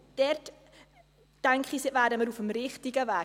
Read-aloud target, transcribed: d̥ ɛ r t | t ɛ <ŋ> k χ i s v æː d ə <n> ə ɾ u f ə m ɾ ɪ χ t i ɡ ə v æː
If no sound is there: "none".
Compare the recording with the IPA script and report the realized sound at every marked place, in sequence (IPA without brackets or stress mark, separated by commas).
ŋ, m